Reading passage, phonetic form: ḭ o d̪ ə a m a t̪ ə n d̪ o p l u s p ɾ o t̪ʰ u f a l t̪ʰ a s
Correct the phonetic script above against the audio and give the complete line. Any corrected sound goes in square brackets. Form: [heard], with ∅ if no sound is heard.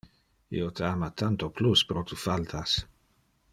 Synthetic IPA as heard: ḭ o [t̪] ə a m a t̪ [a] n [t̪] o p l u s p ɾ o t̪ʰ u f a l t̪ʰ a s